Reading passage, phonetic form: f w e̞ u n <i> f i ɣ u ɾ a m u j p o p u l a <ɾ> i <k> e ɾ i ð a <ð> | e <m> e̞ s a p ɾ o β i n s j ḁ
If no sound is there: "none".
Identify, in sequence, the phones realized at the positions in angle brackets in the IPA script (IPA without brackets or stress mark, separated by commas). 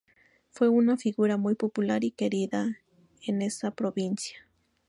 a, ɾ, k, none, n